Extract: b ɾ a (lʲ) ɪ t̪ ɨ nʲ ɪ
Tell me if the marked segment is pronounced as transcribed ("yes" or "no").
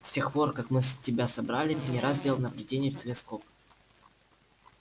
yes